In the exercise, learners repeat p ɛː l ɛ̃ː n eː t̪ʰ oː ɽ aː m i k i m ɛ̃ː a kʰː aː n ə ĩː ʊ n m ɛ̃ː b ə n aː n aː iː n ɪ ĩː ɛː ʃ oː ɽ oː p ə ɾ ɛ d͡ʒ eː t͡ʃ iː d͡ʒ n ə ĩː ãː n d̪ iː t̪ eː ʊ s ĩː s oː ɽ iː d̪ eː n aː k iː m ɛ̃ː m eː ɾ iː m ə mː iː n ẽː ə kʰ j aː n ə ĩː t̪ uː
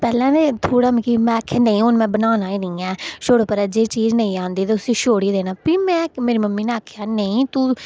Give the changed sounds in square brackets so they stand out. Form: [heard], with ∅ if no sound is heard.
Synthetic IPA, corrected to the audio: p ɛː l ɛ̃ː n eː t̪ʰ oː ɽ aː m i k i m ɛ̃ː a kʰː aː n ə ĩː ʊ n m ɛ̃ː b ə n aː n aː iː n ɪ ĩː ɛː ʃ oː ɽ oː p ə ɾ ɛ d͡ʒ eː t͡ʃ iː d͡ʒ n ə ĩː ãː n d̪ iː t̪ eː ʊ s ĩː [ʃ] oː ɽ iː d̪ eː n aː [p] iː m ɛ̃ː m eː ɾ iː m ə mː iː n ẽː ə kʰ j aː n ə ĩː t̪ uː